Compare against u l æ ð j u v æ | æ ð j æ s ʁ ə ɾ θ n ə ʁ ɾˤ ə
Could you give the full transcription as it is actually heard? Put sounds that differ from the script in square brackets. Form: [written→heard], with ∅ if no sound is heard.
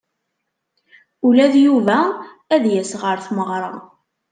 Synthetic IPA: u l æ ð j u v æ | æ ð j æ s ʁ ə ɾ θ [n→m] ə ʁ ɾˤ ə